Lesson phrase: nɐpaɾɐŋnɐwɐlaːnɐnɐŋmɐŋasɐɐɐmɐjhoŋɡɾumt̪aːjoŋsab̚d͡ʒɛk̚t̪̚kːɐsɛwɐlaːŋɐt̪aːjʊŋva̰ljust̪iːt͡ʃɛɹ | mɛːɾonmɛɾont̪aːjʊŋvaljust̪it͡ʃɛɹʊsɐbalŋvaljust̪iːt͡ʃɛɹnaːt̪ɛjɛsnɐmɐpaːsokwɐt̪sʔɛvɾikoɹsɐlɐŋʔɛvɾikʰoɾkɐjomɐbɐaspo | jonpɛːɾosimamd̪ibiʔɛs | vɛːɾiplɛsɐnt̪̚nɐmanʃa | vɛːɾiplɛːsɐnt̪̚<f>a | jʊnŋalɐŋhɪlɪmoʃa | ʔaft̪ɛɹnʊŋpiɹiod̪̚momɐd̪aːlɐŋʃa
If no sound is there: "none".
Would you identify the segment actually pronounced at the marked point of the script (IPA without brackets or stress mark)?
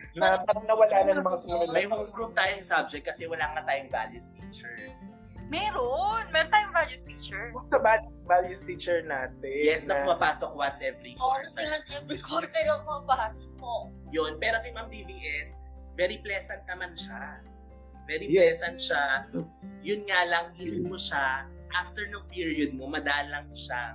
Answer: ʃ